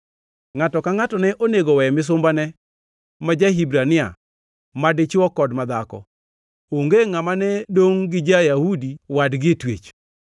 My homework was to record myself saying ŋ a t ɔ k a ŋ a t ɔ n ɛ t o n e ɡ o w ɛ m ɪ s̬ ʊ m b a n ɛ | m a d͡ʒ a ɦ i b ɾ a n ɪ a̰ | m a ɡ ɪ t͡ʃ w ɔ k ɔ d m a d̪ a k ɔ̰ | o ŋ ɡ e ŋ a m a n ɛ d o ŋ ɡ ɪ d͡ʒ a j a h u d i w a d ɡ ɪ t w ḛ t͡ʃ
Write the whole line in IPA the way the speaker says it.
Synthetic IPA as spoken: ŋ a t ɔ k a ŋ a t ɔ n ɛ ʔ o n e ɡ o w ɛ m ɪ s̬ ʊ m b a n ɛ | m a d͡ʒ a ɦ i b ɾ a n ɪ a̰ | m a d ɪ t͡ʃ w ɔ k ɔ d m a d̪ a k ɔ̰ | o ŋ ɡ e ŋ a m a n ɛ d o ŋ ɡ ɪ d͡ʒ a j a h u d i w a d ɡ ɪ t w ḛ t͡ʃ